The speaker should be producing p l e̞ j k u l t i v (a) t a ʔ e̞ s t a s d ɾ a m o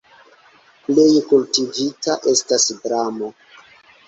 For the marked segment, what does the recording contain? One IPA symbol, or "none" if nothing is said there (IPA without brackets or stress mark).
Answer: i